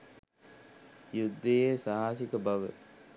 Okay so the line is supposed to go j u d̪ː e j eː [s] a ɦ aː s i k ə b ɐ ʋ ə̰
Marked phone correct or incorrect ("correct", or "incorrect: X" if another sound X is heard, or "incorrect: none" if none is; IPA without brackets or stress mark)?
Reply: correct